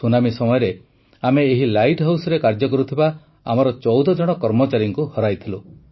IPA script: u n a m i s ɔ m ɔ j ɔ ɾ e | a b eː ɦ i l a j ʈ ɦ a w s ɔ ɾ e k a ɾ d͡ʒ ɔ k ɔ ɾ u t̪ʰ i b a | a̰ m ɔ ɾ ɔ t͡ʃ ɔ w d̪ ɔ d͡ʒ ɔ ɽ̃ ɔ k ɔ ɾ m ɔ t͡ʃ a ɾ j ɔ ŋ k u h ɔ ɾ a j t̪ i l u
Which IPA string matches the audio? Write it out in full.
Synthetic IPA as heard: u n a m i s ɔ m ɔ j ɔ ɾ e | a m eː ɦ i l a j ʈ ɦ a w s ɔ ɾ e k a ɾ d͡ʒ ɔ k ɔ ɾ u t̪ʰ i b a | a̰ m ɔ ɾ ɔ t͡ʃ ɔ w d̪ ɔ d͡ʒ ɔ ɽ̃ ɔ k ɔ ɾ m ɔ t͡ʃ a ɾ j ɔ ŋ k u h ɔ ɾ a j t̪ʰ i l u